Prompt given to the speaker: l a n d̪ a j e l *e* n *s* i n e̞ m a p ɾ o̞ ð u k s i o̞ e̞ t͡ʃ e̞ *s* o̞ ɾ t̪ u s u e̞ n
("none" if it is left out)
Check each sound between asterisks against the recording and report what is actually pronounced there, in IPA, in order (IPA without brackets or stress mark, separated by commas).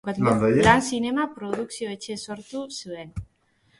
a, s, s